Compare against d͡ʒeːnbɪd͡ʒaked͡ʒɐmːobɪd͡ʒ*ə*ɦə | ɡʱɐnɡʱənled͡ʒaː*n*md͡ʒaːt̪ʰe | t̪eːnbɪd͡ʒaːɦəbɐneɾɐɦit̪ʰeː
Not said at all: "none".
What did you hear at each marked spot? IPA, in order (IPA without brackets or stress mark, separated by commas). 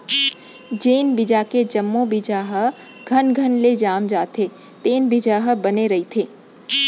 a, none